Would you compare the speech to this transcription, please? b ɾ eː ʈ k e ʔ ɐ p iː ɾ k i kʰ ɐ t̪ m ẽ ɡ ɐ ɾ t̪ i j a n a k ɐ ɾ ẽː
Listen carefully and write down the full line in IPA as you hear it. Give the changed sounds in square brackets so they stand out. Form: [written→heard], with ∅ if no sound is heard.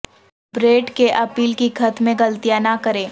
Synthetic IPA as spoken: b ɾ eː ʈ k e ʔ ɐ p iː [ɾ→l] k i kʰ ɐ t̪ m ẽ ɡ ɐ [ɾ→l] t̪ i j a n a k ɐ ɾ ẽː